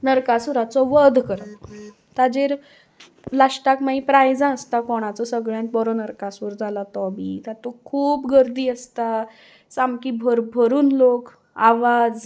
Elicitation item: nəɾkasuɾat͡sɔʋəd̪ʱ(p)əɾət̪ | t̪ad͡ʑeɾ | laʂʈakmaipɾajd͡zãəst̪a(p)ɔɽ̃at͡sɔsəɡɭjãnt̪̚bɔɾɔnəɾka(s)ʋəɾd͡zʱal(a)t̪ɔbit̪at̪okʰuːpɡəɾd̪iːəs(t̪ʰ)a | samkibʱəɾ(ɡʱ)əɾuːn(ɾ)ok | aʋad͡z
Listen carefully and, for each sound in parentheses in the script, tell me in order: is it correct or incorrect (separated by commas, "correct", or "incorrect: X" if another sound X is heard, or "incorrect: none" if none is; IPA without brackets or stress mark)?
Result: incorrect: k, incorrect: k, correct, correct, incorrect: t̪, incorrect: bʱ, incorrect: l